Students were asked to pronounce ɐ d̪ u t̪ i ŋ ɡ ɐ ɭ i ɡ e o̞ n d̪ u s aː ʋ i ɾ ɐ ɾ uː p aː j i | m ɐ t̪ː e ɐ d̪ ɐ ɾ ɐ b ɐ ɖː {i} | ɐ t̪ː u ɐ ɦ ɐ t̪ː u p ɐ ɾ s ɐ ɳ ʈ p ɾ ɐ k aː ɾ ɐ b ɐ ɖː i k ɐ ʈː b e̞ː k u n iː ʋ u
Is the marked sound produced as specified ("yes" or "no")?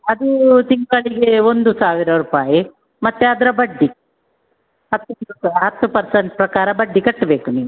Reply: yes